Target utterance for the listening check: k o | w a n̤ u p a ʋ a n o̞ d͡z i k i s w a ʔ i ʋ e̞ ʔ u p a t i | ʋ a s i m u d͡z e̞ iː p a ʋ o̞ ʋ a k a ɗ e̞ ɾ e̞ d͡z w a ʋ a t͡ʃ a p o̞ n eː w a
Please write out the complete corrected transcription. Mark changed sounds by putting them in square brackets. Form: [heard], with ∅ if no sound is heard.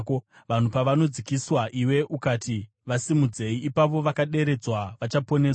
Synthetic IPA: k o | [ʋ] a n̤ u p a ʋ a n o̞ d͡z i k i s w a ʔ i [w] e̞ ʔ u [k] a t i | ʋ a s i m u d͡z e̞ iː p a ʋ o̞ ʋ a k a ɗ e̞ ɾ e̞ d͡z w a ʋ a t͡ʃ a p o̞ n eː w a